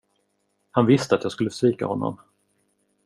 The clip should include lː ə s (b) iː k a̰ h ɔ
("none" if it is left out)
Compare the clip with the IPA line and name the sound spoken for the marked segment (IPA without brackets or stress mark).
v